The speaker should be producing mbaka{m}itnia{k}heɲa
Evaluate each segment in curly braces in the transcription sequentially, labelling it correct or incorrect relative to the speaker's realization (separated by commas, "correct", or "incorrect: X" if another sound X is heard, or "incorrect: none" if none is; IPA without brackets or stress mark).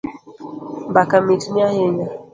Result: correct, incorrect: none